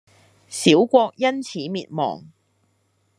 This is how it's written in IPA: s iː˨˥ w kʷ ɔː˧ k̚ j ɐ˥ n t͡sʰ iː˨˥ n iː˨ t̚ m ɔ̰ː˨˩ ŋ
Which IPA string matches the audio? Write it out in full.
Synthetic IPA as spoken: s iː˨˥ w kʷ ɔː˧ k̚ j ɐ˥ n t͡sʰ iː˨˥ m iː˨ t̚ m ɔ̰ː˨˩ ŋ